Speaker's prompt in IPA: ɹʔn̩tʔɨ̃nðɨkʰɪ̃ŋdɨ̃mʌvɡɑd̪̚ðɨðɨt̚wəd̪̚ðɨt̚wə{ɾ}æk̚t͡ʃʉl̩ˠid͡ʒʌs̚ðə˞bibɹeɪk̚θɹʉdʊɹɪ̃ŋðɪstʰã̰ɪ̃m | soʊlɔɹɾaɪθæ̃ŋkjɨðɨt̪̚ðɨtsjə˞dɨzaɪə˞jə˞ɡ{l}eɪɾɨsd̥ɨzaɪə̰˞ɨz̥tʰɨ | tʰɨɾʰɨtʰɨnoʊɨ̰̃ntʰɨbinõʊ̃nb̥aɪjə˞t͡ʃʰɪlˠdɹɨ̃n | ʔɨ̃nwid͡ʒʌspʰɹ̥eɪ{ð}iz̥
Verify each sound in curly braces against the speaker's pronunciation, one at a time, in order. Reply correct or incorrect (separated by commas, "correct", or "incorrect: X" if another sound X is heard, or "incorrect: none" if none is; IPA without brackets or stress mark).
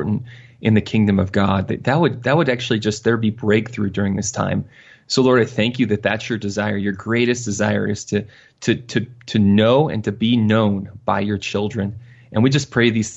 correct, incorrect: ɹ, correct